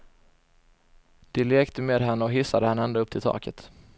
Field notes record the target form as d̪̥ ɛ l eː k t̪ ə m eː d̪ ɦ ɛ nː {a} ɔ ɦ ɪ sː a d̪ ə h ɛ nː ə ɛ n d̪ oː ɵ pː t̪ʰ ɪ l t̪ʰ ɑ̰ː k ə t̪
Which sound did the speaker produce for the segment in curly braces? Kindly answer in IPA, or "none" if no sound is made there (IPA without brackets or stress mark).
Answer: ə